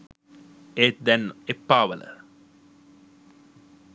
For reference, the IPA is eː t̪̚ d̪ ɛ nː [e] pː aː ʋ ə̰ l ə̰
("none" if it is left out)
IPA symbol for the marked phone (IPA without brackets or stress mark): e